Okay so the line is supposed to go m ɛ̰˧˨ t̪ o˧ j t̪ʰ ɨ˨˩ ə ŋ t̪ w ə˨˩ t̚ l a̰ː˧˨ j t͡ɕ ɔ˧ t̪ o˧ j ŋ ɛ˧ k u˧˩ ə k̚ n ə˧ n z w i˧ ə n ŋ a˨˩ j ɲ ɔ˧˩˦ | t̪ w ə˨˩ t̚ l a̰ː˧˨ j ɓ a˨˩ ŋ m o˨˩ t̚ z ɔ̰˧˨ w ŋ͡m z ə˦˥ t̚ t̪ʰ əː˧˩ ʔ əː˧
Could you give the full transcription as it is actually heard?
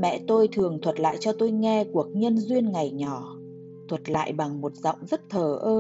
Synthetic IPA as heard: m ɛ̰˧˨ t̪ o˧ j t̪ʰ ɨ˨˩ ə ŋ t̪ʰ w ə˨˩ t̚ l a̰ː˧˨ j t͡ɕ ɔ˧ t̪ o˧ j ŋ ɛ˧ k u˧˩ ə k̚ ɲ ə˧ n z w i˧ ə n ŋ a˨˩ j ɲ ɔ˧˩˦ | t̪ʰ w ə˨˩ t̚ l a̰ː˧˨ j ɓ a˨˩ ŋ m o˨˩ t̚ z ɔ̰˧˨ w ŋ͡m z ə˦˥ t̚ t̪ʰ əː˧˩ ʔ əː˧